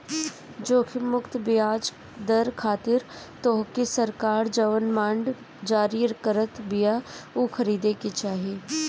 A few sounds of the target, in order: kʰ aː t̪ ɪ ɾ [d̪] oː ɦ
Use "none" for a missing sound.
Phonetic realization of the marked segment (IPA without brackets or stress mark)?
t̪